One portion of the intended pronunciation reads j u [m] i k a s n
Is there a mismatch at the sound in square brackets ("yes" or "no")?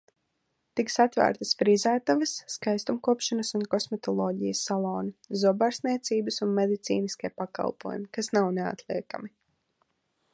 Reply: no